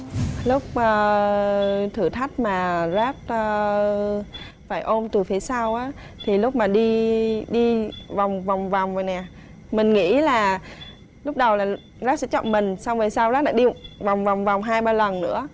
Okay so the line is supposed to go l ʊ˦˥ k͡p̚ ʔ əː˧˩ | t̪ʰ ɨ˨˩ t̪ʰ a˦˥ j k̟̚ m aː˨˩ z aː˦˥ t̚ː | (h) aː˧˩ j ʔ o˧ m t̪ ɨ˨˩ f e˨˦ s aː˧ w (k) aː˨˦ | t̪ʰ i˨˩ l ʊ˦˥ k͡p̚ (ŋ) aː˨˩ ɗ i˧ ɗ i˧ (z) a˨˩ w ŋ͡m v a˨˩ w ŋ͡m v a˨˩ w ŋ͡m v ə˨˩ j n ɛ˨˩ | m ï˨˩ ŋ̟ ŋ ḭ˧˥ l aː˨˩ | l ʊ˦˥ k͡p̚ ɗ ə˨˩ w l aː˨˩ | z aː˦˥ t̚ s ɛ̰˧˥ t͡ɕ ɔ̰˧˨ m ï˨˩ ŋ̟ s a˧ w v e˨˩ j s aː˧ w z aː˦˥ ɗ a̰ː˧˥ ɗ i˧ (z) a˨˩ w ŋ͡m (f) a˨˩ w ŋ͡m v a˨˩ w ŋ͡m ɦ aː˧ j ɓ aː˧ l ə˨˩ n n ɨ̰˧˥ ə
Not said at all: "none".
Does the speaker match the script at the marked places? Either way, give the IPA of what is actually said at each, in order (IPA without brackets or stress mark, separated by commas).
f, ʔ, m, v, v, v